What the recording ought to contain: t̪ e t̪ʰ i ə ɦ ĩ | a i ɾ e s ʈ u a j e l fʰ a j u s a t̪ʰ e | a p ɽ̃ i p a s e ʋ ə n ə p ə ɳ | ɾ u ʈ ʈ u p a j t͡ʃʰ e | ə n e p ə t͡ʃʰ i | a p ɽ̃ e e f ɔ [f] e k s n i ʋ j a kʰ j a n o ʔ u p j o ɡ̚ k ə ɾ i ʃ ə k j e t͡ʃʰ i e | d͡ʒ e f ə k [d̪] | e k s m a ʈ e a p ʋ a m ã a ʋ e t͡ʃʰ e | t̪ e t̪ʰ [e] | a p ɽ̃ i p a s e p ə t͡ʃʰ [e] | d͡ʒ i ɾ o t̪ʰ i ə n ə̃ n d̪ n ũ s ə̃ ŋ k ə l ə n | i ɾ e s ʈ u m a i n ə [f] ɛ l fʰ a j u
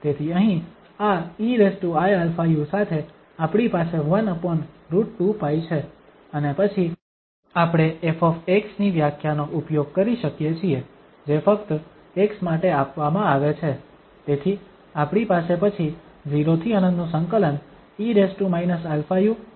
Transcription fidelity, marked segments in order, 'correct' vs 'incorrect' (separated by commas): correct, incorrect, incorrect, incorrect, incorrect